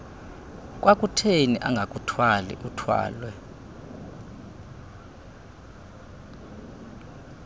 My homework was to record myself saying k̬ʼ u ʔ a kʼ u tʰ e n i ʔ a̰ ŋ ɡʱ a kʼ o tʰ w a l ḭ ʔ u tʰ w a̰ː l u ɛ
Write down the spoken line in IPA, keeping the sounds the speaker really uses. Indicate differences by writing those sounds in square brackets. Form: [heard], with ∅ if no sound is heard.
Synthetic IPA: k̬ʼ [w] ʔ a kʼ u tʰ e n i ʔ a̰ ŋ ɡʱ a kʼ [u] tʰ w a l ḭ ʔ u tʰ w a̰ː l [w] ɛ